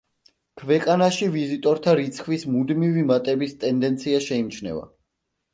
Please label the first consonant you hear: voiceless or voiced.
voiceless